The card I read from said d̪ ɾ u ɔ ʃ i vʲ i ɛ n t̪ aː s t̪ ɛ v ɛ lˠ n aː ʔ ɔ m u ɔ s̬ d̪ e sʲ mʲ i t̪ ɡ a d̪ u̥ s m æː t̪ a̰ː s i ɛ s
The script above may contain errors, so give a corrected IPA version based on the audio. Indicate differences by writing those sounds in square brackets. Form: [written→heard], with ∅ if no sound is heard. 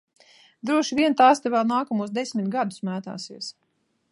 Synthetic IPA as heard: d̪ ɾ u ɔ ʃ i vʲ i ɛ n t̪ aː s t̪ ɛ v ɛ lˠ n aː [ʔ→k] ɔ m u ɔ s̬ d̪ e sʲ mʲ i t̪ ɡ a d̪ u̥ s m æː t̪ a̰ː s i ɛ s